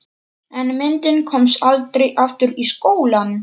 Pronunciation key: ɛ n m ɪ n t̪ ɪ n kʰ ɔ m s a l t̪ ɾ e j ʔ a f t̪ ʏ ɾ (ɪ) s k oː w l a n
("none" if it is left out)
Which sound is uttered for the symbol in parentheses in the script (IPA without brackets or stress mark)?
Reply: i